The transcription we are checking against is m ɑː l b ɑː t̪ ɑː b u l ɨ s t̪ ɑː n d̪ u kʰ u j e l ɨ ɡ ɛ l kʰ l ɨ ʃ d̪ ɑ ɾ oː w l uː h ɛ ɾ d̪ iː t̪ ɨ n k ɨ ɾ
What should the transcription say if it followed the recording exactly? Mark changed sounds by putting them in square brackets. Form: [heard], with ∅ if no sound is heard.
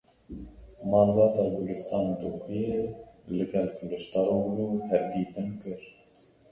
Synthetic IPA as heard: m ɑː l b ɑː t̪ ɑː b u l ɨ s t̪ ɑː n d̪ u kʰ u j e l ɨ ɡ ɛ l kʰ l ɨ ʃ [t̪] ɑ ɾ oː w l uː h ɛ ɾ d̪ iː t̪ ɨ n k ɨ ɾ